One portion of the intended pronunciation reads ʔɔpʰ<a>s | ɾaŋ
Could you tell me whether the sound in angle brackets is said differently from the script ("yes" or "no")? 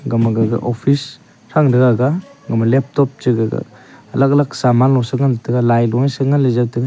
yes